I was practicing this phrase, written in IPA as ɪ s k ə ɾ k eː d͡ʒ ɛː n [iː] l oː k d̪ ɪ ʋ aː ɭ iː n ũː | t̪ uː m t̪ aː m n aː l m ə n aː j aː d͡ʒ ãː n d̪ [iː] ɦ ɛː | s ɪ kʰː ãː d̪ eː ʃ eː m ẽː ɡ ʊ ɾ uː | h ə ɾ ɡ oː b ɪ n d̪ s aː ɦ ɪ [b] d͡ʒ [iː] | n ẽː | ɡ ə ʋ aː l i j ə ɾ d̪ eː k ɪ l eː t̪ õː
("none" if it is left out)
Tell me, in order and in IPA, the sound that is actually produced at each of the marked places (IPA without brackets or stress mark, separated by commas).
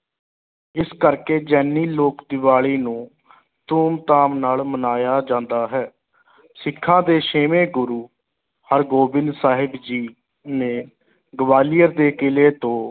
iː, aː, b, iː